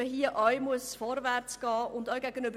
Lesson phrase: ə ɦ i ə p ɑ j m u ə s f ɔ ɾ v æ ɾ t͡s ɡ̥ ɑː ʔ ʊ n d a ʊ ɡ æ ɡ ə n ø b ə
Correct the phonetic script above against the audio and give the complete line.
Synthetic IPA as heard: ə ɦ i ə ʔ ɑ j m u ə s f ɔ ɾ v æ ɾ t͡s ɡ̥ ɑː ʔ ʊ n d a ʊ ɡ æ ɡ ə n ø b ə